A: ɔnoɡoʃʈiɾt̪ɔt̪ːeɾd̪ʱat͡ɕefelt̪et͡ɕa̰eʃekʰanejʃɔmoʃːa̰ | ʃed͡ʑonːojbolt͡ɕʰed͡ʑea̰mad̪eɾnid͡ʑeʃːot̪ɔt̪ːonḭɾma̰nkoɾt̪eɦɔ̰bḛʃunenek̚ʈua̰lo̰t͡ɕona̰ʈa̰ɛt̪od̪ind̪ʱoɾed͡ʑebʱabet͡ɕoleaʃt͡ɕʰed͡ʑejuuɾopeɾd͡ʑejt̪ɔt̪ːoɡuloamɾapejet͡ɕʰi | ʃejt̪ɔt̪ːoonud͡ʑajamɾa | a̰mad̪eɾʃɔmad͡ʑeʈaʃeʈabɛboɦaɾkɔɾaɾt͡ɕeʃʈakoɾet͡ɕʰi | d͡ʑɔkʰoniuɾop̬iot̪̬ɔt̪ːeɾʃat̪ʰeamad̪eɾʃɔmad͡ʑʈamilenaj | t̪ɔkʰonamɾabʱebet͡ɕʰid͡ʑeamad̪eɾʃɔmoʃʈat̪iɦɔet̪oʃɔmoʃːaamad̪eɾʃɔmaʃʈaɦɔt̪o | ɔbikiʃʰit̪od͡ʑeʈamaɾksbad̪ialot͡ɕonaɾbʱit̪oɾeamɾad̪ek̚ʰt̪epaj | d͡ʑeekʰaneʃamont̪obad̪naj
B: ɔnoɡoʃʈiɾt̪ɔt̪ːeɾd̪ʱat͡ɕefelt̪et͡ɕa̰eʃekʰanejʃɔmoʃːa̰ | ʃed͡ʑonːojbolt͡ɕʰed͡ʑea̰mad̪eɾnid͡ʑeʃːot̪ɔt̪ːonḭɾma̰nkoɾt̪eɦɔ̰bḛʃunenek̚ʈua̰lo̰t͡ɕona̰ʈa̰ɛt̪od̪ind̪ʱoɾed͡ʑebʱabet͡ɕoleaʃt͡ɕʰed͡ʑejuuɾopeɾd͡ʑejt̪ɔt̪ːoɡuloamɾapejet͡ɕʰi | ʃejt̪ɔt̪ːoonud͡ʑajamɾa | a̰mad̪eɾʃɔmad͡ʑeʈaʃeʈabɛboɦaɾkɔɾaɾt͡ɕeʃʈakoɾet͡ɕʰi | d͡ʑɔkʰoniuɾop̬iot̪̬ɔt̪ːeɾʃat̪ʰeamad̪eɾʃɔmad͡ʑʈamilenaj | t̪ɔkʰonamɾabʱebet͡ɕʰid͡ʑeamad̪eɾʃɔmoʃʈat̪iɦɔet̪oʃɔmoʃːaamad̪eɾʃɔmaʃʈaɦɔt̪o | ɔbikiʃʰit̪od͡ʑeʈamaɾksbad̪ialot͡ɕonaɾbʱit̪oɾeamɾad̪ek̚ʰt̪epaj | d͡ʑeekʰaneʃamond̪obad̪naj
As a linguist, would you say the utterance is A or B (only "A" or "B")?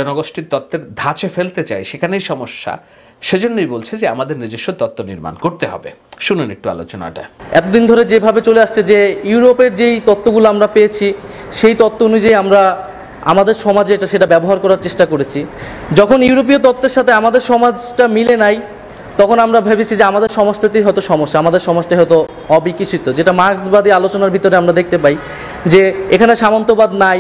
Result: A